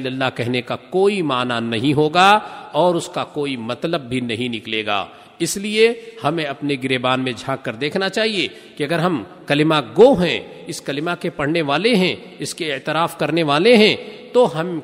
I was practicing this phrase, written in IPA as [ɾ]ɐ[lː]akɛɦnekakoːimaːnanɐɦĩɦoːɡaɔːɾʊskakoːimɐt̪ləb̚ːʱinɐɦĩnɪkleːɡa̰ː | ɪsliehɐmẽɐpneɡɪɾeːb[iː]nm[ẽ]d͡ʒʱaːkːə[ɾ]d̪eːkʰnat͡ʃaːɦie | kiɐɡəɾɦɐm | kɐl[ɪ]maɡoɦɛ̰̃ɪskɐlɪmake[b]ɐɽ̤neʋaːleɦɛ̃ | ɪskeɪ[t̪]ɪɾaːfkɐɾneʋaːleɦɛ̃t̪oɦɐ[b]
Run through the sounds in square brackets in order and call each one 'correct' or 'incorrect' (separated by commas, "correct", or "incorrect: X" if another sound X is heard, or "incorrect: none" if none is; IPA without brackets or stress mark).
incorrect: l, correct, incorrect: aː, correct, correct, correct, incorrect: p, correct, incorrect: m